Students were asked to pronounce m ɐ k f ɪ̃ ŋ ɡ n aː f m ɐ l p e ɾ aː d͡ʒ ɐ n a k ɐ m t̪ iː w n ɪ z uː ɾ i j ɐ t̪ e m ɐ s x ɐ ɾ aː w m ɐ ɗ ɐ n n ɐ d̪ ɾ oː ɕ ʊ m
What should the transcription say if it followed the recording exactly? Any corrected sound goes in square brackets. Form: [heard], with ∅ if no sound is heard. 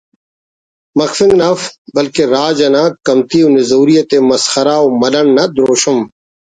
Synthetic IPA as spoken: m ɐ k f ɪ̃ ŋ ɡ n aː f [b] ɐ l [k] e ɾ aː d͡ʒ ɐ n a k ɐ m t̪ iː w n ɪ z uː ɾ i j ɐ t̪ e m ɐ s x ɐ ɾ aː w m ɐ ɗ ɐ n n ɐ d̪ ɾ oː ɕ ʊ m